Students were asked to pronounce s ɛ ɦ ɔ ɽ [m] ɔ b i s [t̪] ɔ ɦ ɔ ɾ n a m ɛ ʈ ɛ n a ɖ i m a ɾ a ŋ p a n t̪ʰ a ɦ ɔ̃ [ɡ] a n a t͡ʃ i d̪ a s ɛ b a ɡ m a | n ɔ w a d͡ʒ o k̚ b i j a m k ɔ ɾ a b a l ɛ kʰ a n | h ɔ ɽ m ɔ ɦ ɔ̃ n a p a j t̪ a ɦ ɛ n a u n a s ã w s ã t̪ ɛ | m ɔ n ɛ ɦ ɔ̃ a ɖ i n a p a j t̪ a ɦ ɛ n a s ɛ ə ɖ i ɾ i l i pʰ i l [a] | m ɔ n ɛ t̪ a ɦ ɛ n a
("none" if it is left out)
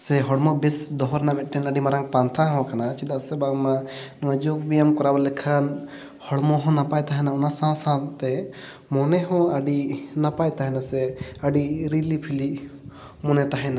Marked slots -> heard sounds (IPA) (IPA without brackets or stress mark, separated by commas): m, d̪, k, i